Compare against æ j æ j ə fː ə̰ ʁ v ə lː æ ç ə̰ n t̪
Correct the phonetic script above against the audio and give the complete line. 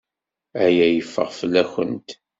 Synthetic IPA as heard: æ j æ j ə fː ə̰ ʁ f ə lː æ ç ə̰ n t̪

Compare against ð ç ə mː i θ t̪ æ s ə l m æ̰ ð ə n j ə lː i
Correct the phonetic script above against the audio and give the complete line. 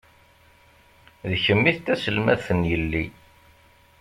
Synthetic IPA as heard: ð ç ə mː i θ t̪ æ s ə l m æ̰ θ ə n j ə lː i

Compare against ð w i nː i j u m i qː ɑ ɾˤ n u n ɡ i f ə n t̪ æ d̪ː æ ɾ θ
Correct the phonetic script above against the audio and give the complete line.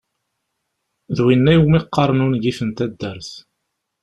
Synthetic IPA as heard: ð w i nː æ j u m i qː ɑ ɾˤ n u n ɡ i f ə n t̪ æ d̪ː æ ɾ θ

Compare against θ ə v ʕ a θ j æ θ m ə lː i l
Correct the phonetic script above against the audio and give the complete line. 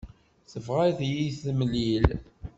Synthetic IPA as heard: θ ə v ʁ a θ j i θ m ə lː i l

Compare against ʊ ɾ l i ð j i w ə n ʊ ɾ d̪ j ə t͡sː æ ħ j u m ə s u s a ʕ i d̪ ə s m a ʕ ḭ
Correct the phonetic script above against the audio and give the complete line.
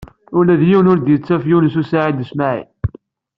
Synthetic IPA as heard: ʊ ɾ l æ ð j i w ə n ʊ ɾ d̪ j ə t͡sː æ f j u n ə s u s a ʕ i d̪ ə s m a ʕ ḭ

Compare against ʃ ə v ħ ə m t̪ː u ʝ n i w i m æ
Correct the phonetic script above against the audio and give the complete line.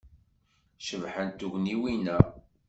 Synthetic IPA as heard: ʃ ə v ħ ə n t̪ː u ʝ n i w i n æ

